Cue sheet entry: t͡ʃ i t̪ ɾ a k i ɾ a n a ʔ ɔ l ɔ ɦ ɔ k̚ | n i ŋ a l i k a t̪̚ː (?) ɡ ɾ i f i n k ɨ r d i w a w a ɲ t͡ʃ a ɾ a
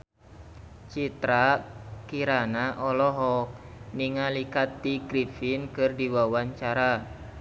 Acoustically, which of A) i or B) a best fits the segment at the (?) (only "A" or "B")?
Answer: A